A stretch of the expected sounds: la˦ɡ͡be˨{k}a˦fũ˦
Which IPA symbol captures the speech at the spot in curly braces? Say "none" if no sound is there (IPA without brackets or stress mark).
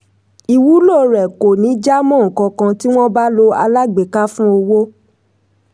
k